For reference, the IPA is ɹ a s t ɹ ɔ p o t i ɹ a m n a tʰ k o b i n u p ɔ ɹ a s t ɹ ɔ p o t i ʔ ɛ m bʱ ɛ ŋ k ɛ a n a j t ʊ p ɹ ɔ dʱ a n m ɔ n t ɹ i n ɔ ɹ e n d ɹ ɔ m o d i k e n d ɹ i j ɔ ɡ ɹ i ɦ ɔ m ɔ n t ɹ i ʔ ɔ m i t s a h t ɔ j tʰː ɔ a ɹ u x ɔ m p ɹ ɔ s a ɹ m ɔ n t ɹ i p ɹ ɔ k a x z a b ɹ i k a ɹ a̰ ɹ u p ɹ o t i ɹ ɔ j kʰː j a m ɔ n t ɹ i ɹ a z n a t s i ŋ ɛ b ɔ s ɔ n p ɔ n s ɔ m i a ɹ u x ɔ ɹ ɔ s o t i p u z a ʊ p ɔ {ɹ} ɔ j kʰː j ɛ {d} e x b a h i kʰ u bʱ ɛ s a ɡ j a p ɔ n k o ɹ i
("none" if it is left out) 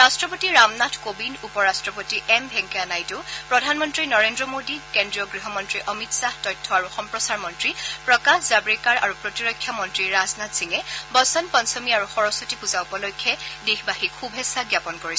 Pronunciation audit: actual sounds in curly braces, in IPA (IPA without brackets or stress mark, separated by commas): l, d